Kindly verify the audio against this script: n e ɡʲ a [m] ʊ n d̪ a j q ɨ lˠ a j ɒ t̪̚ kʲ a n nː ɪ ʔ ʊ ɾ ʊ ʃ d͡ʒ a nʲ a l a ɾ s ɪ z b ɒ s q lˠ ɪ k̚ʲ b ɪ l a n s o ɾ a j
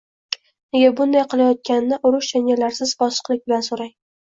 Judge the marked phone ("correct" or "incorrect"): incorrect